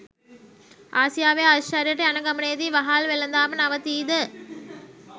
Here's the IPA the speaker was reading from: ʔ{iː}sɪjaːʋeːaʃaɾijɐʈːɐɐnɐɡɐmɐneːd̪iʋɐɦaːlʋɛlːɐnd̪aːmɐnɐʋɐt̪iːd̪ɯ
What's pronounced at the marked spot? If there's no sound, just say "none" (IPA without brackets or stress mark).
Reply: aː